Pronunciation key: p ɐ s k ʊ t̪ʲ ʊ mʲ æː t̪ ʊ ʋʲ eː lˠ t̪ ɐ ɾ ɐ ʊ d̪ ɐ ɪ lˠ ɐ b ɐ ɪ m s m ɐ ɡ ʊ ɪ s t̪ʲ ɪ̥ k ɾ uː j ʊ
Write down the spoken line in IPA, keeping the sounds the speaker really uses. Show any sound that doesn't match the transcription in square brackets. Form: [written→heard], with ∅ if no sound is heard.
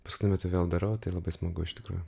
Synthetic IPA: p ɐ s k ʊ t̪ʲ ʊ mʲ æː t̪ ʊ ʋʲ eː lˠ [t̪→d̪] ɐ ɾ ɐ ʊ [d̪→t̪] ɐ ɪ lˠ ɐ b ɐ ɪ [m→∅] s m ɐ ɡ ʊ ɪ [s→ʃ] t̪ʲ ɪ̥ k ɾ uː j ʊ